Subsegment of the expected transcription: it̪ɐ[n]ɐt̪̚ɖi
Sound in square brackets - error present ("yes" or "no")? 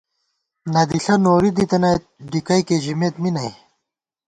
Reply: no